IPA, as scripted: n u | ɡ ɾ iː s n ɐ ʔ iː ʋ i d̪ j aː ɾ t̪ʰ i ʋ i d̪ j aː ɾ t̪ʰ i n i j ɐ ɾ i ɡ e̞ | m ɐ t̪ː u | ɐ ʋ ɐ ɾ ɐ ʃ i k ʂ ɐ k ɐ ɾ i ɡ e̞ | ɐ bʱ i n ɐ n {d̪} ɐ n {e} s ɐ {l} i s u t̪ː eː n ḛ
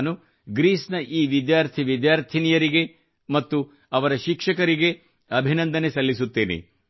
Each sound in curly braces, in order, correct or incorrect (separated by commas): correct, correct, incorrect